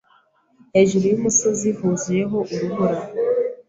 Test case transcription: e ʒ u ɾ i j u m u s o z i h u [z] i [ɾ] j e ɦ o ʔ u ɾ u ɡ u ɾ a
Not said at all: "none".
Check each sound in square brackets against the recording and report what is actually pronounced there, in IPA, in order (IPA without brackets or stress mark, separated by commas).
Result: z, none